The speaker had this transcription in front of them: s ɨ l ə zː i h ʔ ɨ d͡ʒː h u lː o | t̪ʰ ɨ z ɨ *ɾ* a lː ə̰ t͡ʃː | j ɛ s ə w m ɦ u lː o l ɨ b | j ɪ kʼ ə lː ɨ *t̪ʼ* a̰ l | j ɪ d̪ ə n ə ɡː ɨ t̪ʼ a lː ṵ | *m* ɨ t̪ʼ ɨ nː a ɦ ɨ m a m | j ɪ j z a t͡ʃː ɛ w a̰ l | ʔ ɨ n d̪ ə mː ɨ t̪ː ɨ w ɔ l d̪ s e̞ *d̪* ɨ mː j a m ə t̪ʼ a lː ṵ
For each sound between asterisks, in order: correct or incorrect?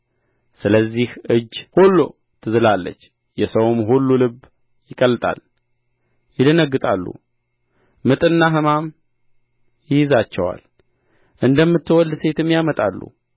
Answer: incorrect: l, correct, correct, incorrect: t̪

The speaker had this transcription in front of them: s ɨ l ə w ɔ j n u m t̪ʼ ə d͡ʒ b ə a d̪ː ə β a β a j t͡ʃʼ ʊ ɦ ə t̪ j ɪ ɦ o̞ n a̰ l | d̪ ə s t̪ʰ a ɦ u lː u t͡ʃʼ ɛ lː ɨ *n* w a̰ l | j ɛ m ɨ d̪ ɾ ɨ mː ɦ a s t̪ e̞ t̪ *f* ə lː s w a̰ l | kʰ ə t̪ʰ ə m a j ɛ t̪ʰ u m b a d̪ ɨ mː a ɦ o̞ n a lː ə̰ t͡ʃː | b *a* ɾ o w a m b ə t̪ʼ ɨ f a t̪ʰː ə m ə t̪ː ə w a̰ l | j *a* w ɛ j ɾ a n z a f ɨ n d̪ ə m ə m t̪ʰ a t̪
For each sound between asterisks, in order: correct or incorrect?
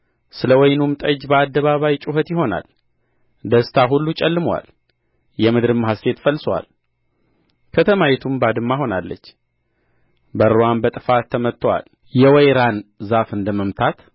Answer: incorrect: m, correct, incorrect: ə, incorrect: ɛ

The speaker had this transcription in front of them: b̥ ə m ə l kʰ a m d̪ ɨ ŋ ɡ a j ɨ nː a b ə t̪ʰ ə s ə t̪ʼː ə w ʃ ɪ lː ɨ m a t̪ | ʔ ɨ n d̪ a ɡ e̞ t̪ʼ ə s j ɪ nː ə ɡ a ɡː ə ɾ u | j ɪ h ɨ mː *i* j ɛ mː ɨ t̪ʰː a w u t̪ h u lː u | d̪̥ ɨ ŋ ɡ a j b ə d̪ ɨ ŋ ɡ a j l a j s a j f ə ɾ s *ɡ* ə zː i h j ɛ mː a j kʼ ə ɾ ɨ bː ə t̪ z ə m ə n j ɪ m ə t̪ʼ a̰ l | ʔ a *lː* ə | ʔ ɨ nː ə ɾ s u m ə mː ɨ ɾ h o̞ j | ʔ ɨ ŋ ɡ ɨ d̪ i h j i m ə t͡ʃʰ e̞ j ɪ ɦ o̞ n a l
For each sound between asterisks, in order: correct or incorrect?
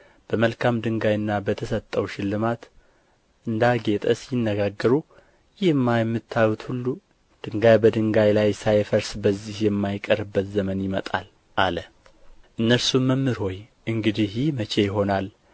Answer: incorrect: a, incorrect: b, incorrect: l

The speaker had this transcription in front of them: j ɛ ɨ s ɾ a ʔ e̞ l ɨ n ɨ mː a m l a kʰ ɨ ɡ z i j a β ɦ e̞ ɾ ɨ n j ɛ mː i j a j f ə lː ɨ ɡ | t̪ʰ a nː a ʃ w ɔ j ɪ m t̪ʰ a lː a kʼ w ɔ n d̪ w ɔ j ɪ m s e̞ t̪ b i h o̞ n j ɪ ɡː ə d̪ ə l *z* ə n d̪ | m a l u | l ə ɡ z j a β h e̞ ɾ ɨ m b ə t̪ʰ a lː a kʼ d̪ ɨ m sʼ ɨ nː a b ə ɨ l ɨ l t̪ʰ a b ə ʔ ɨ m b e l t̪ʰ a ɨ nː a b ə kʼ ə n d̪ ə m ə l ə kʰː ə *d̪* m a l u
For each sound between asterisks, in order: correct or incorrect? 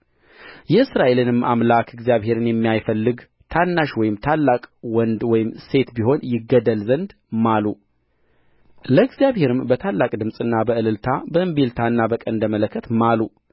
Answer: correct, incorrect: t̪

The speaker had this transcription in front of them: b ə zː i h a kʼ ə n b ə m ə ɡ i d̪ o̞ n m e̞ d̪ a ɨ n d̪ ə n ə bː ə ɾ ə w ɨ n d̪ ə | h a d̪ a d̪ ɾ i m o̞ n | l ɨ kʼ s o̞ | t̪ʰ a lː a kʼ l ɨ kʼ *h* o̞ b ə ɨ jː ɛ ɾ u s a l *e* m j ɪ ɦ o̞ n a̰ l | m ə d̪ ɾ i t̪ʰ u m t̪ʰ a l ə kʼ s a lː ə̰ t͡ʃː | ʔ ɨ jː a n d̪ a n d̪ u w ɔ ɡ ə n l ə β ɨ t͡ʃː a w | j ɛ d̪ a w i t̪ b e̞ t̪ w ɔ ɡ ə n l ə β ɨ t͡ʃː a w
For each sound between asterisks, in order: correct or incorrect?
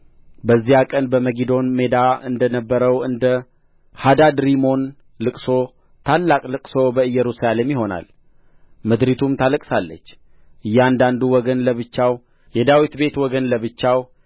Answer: incorrect: s, correct

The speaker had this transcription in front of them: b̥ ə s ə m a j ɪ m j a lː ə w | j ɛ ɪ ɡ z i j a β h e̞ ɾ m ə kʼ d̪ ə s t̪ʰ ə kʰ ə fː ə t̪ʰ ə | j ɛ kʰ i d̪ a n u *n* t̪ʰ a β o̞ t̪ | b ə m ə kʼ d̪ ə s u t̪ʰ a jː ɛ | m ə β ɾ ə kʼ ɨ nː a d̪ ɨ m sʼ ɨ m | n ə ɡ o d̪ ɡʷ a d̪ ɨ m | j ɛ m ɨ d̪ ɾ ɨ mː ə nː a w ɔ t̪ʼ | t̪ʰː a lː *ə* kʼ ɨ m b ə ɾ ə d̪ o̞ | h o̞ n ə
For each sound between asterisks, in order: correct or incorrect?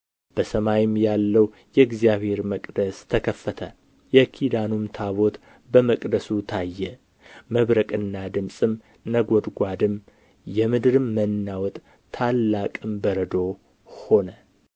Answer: incorrect: m, incorrect: a

